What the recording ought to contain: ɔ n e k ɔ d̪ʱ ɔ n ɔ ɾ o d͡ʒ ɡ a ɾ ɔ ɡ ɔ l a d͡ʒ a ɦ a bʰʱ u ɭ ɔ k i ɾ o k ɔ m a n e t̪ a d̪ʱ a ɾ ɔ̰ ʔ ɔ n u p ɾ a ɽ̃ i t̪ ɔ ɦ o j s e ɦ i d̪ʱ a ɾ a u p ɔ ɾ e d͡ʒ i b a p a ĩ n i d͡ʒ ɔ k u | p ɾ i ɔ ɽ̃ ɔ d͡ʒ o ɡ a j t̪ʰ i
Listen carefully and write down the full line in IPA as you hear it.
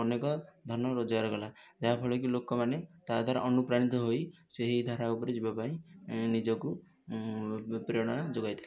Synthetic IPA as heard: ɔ n e k ɔ d̪ʱ ɔ n ɔ ɾ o d͡ʒ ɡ a ɾ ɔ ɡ ɔ l a d͡ʒ a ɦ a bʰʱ ɔ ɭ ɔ k i l o k ɔ m a n e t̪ a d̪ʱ a ɾ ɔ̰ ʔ ɔ n u p ɾ a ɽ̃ i t̪ ɔ ɦ o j s e ɦ i d̪ʱ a ɾ a u p ɔ ɾ e d͡ʒ i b a p a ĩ n i d͡ʒ ɔ k u | p ɾ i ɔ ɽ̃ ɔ d͡ʒ o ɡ a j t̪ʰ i